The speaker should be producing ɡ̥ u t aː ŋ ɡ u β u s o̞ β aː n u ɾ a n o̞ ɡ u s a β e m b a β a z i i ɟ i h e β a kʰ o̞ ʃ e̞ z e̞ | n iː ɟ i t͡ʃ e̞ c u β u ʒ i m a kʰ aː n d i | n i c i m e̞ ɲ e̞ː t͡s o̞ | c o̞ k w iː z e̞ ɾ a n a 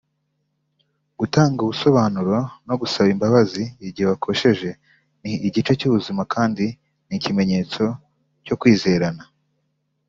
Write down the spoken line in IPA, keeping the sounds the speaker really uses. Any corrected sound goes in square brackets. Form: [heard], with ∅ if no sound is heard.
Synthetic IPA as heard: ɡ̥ u t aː ŋ ɡ u β u s o̞ β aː n u ɾ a n o̞ ɡ u s a β [i] m b a β a z i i ɟ i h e β a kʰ o̞ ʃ e̞ [ʒ] e̞ | n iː ɟ i t͡ʃ e̞ c u β u [z] i m a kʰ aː n d i | n i c i m e̞ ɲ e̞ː t͡s o̞ | c o̞ k w iː z e̞ ɾ a n a